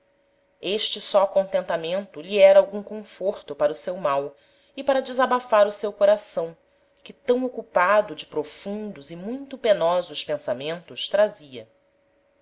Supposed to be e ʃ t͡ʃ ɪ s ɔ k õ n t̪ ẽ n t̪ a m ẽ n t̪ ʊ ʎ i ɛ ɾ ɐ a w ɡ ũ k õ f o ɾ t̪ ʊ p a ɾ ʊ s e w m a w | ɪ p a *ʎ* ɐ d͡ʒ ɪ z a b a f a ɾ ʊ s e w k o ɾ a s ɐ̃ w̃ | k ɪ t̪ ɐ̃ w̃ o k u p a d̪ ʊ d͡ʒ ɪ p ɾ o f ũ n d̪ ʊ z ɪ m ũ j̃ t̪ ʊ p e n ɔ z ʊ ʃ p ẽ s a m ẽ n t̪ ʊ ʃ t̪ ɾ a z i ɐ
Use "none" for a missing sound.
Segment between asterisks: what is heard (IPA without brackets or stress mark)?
ɾ